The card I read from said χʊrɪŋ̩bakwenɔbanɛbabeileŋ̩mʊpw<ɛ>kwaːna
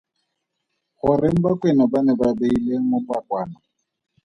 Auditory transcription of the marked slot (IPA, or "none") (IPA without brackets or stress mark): a